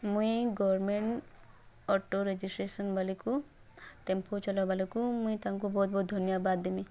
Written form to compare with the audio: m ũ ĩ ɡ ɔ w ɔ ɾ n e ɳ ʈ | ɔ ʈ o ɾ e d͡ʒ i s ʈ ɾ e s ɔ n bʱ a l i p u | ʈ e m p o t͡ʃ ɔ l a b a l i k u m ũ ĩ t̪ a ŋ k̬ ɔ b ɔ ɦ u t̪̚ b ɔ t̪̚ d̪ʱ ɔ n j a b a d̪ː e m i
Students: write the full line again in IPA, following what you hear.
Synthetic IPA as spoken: m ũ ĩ ɡ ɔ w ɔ ɾ m e ɳ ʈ | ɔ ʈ o ɾ e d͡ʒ i s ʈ ɾ e s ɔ n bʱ a l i k u | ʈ e m p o t͡ʃ ɔ l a b a l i k u m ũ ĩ t̪ a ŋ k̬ u b ɔ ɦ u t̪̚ b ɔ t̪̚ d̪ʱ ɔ n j a b a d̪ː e m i